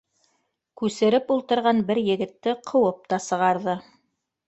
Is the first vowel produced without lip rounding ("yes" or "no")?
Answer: no